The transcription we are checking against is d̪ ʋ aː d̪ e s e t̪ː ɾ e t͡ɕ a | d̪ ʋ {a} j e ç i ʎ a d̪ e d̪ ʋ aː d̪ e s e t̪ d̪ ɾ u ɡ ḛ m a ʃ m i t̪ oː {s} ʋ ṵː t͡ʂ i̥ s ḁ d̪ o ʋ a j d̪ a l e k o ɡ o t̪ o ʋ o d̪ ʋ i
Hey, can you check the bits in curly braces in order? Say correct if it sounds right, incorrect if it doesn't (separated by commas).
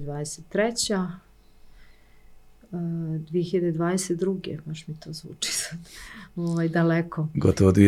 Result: incorrect, incorrect